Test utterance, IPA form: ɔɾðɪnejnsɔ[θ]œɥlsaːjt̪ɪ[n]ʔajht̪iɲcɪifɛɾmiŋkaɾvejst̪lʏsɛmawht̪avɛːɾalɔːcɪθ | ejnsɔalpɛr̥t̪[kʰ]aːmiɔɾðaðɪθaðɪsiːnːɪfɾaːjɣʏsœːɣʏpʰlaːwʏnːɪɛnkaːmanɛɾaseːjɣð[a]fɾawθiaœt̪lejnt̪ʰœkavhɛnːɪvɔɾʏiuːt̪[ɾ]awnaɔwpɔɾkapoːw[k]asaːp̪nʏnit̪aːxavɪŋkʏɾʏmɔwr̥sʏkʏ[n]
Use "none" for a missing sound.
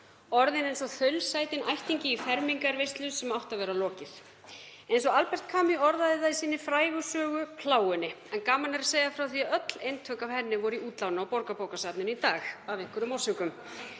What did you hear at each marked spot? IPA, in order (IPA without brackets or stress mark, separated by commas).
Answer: θ, n, kʰ, a, l, k, m